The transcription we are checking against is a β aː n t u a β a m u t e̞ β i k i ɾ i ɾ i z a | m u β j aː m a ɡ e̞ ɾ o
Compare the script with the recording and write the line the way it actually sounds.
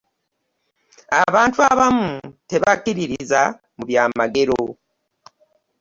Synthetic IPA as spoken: a β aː n t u a β a m u t e̞ β a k i ɾ i ɾ i z a | m u β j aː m a ɡ e̞ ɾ o